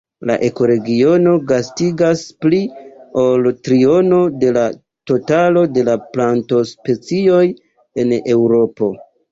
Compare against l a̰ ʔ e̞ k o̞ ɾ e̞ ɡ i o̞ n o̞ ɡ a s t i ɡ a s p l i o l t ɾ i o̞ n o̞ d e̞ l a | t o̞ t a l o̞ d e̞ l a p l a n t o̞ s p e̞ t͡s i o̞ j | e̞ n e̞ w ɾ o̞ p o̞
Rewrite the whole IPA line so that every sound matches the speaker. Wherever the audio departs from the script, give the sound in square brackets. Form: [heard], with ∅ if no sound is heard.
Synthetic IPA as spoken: l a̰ ʔ e̞ k o̞ ɾ e̞ ɡ i o̞ n o̞ ɡ a s t i ɡ a s p l i o l t ɾ i o̞ n o̞ d e̞ l a | t o̞ t a l o̞ d e̞ l a p l a n t o̞ s p e̞ t͡s i o̞ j | e̞ n e̞ w ɾ o̞ p o̞